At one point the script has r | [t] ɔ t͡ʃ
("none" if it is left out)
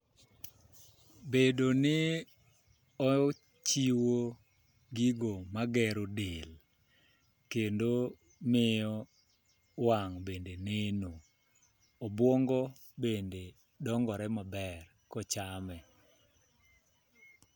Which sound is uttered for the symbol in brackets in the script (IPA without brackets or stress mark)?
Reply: k